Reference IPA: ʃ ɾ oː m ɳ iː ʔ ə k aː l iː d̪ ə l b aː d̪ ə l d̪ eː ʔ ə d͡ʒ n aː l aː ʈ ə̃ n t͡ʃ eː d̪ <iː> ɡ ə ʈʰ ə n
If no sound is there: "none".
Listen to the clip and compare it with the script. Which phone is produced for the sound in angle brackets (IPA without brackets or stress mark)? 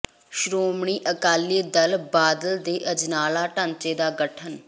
aː